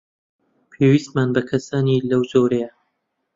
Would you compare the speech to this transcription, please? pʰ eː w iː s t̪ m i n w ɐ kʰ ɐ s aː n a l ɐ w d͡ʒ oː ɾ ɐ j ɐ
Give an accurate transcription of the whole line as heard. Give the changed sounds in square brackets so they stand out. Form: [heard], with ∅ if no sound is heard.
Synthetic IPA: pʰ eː w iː s t̪ m [a] n [b] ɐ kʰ ɐ s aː n [i] l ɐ w d͡ʒ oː ɾ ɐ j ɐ